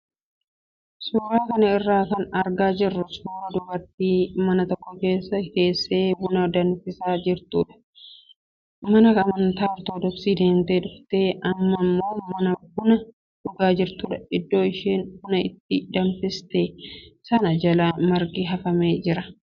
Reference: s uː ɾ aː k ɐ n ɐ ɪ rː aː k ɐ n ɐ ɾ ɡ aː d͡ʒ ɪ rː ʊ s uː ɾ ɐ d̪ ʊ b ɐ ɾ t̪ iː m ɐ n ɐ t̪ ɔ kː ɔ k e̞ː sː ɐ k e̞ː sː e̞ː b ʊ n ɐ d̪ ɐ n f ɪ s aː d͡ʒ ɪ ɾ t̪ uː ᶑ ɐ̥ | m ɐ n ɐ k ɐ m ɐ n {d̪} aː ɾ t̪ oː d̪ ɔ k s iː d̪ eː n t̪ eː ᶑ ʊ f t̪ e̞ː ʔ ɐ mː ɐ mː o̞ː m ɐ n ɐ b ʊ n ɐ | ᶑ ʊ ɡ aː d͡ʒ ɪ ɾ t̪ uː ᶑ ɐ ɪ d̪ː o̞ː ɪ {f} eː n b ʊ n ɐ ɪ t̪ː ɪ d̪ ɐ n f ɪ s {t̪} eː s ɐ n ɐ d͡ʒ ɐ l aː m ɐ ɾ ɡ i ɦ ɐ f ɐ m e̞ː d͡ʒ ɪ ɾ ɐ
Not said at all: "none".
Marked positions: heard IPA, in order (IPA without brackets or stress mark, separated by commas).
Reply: t̪, ʃ, t̪